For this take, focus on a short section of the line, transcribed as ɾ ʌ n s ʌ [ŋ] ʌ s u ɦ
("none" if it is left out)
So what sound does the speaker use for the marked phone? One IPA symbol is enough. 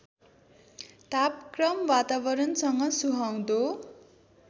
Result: ŋ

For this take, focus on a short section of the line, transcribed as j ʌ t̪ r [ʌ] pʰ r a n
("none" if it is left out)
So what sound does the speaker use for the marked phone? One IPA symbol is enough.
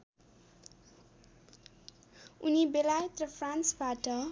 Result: ʌ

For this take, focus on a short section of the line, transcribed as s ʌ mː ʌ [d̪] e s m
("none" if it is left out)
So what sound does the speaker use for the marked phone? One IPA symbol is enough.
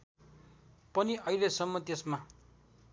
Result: t̪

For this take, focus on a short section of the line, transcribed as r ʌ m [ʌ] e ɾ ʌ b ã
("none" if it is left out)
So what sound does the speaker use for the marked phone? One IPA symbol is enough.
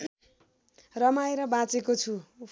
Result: a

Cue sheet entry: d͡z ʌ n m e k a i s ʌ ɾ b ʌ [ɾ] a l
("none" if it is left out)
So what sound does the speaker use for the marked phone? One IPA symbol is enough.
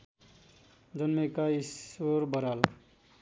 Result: ɾ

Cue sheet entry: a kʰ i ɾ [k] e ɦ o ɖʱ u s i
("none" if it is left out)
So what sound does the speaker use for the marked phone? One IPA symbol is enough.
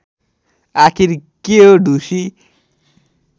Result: k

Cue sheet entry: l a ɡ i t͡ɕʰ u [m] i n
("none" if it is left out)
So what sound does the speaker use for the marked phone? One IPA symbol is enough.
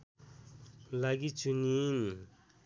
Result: n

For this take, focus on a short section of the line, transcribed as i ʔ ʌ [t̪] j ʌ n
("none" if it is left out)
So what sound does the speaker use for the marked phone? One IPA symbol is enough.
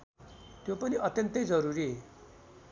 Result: t̪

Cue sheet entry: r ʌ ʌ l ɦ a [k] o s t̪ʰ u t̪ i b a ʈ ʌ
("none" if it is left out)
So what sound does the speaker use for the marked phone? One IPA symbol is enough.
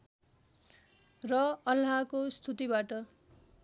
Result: k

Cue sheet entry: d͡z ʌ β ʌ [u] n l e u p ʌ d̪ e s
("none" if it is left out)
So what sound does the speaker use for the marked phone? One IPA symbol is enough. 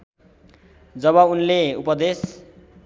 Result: u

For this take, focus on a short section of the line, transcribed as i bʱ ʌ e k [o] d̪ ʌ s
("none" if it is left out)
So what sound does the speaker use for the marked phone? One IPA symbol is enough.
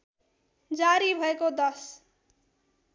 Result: o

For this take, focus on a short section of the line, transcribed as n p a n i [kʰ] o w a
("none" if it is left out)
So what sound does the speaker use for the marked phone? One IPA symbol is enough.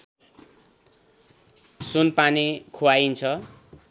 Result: kʰ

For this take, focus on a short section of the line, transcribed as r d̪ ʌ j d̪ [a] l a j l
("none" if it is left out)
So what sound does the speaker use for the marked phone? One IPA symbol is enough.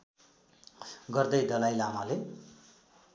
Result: ʌ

